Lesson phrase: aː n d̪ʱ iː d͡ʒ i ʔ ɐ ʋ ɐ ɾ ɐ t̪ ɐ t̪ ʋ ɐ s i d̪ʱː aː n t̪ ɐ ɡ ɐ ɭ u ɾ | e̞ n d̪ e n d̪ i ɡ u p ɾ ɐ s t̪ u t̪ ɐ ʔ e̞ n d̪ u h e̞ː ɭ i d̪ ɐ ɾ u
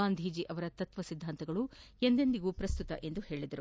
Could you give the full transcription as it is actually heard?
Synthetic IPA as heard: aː n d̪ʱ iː d͡ʒ i ʔ ɐ ʋ ɐ ɾ ɐ t̪ ɐ t̪ ʋ ɐ s i d̪ʱː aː n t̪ ɐ ɡ ɐ ɭ u | e̞ n d̪ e n d̪ i ɡ u p ɾ ɐ s t̪ u t̪ ɐ ʔ e̞ n d̪ u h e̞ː ɭ i d̪ ɐ ɾ u